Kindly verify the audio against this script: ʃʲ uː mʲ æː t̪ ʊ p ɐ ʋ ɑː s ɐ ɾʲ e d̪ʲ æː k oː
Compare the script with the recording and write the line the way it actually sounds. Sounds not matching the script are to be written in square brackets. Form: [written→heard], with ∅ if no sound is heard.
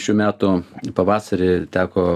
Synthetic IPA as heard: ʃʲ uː mʲ æː t̪ ʊ p ɐ ʋ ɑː s ɐ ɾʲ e [d̪ʲ→t̪ʲ] æː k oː